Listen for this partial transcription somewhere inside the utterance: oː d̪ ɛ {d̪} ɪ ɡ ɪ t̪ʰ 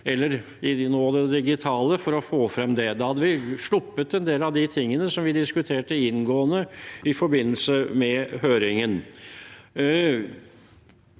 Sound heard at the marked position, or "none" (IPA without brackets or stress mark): d̪